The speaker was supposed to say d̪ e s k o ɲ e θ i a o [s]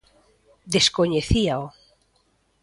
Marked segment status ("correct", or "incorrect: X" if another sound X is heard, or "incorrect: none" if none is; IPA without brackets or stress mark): incorrect: none